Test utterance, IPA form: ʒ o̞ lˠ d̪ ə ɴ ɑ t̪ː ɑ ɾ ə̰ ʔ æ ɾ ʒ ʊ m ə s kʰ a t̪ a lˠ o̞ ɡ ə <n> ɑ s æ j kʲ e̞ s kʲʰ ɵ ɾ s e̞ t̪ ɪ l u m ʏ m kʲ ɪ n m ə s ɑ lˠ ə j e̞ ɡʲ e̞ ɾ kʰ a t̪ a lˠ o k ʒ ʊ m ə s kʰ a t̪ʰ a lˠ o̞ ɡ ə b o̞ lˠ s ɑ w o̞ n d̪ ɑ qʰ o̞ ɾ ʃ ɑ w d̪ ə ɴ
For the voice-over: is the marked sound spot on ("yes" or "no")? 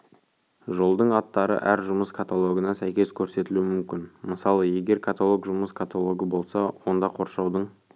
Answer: yes